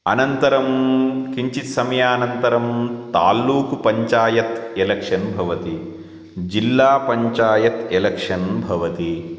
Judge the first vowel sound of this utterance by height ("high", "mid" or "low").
low